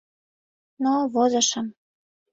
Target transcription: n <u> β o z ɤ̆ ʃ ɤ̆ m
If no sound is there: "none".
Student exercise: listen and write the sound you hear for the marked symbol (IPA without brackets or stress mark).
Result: o